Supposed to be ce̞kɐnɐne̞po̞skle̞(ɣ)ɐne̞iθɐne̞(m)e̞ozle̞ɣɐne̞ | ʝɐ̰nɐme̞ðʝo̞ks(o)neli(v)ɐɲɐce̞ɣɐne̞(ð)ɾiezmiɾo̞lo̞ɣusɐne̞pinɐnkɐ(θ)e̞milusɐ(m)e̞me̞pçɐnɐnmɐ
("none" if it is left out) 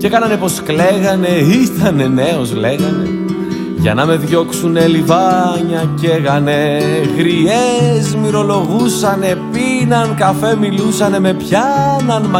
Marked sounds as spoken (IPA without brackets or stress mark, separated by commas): ɣ, n, u, v, ɣ, f, n